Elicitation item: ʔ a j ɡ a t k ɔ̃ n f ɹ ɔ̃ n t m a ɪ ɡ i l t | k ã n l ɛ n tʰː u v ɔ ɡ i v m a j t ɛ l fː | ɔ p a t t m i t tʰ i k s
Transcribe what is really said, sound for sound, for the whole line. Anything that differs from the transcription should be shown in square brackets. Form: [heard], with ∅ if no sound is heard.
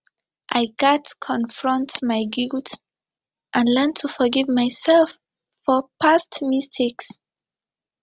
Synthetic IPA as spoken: ʔ a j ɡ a t [kʰ] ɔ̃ n f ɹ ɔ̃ n t m a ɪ ɡ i l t | [ʔ] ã n l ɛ n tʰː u [f] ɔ ɡ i v m a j [s] ɛ l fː | ɔ p a [s] t m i [s] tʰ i k s

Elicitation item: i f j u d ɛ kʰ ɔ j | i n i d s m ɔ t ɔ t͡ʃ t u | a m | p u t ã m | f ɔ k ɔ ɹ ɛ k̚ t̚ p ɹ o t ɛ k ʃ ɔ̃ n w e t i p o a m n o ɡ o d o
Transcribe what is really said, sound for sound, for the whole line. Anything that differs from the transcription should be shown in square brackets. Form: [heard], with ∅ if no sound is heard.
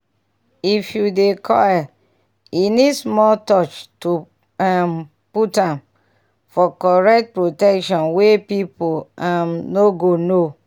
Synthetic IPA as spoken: i f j u d [e] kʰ ɔ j | i n i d s m ɔ t ɔ t͡ʃ t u | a m | p u t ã m | f ɔ k ɔ ɹ ɛ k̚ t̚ p ɹ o t ɛ k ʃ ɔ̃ n w e [p] i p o a m n o ɡ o [n] o

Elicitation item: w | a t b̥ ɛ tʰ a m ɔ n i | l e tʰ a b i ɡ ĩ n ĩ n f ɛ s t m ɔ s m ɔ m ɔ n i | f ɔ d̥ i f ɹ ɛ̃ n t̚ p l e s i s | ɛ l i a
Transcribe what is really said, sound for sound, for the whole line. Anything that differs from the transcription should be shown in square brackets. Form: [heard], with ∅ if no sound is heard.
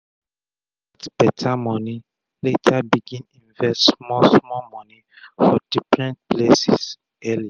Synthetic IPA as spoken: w | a t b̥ ɛ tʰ a m ɔ n i | l e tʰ a b i ɡ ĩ n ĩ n [v] ɛ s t m ɔ s m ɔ m ɔ n i | f ɔ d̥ i f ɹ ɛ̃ n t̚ p l e s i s | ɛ l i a

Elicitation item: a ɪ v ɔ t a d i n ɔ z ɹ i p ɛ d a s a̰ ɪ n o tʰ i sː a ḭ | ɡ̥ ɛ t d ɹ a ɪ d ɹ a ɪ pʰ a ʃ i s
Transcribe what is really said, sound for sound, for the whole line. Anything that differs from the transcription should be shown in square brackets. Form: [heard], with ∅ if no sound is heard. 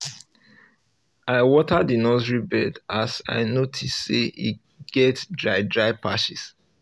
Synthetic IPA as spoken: a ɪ [w] ɔ t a d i n ɔ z ɹ i [b] ɛ d a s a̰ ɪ n o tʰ i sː [e] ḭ | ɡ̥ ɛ t d ɹ a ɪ d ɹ a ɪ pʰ a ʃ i s

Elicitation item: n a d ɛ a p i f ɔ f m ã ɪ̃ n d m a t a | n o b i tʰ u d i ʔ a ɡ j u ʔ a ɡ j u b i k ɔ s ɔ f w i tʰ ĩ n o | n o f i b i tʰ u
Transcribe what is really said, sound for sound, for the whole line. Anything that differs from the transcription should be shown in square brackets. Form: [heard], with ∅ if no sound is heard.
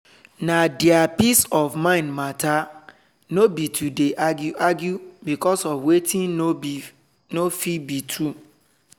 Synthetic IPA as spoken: n a d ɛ a p i [s] ɔ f m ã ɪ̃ n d m a t a | n o b i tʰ u d [e] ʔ a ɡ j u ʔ a ɡ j u b i k ɔ s ɔ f w [e] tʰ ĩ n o | n o f i b i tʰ u

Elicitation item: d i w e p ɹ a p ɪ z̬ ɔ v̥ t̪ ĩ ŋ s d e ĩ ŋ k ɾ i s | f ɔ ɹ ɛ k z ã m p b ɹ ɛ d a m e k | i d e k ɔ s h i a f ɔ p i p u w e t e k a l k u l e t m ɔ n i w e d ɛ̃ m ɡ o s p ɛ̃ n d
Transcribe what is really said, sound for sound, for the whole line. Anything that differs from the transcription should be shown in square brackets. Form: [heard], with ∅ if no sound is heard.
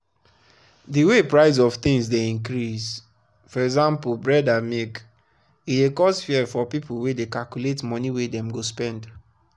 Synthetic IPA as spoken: d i w e p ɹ a [∅] ɪ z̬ ɔ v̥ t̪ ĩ ŋ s d e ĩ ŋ k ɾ i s | f ɔ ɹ ɛ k z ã m p b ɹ ɛ d a m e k | i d e k ɔ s [f] i [ɛ] f ɔ p i p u w e [d] e k a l k u l e t m ɔ n i w e d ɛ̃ m ɡ o s p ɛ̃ n d

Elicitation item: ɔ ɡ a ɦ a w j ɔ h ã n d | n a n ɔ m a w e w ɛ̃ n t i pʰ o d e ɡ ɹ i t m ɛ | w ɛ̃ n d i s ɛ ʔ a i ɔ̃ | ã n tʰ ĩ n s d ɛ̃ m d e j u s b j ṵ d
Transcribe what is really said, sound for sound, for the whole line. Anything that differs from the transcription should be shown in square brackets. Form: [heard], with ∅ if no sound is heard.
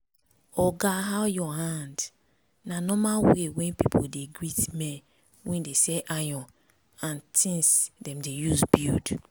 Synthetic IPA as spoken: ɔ ɡ a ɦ a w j ɔ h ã n d | n a n ɔ m a w e w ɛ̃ n [p] i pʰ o d e ɡ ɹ i t m ɛ | w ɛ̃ n d [e] s ɛ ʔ a [j] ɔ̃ | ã n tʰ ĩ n s d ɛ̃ m d e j u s b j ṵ d

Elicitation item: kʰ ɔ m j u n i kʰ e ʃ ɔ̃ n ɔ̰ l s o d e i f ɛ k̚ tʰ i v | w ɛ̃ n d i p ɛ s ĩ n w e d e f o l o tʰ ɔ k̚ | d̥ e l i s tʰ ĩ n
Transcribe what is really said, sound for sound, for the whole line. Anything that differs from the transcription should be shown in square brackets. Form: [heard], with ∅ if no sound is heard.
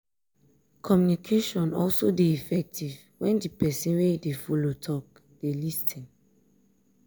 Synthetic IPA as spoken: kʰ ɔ m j u n i kʰ e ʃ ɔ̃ n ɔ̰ l s o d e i f ɛ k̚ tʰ i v | w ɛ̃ n d i p ɛ s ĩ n w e d e f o l o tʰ ɔ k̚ | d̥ e l i s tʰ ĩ n

